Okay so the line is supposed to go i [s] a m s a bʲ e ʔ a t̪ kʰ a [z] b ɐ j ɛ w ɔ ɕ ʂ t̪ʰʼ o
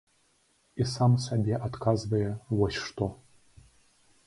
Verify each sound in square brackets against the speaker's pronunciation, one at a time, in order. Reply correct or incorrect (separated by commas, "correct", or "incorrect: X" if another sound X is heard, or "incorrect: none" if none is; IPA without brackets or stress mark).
correct, correct